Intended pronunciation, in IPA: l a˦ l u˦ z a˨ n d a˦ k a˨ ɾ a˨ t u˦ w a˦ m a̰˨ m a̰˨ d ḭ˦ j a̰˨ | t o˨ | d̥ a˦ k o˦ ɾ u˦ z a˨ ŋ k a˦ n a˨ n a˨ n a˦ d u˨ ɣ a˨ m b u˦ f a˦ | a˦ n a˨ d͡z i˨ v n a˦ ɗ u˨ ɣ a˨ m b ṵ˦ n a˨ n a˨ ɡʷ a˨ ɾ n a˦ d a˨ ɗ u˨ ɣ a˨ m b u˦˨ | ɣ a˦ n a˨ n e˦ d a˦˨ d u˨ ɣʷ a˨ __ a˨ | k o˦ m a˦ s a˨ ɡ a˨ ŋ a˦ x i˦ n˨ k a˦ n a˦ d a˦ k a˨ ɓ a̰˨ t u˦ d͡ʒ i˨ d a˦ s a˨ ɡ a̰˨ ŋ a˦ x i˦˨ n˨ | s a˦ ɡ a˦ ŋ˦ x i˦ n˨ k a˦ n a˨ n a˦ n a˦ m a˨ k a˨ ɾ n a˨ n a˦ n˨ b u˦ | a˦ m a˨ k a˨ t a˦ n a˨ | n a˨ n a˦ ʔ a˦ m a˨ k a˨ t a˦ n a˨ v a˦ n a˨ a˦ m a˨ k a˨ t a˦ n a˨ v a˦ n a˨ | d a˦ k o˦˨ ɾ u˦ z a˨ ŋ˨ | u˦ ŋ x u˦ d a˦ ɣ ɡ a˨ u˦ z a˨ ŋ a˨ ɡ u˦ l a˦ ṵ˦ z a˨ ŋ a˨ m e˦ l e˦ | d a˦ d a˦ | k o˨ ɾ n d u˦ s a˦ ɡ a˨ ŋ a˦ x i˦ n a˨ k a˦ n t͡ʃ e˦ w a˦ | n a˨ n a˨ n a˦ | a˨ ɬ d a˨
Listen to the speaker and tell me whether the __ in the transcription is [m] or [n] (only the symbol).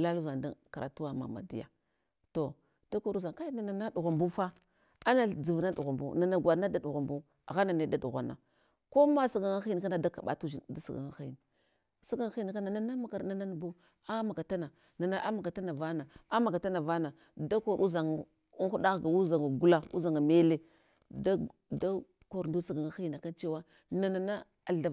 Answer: n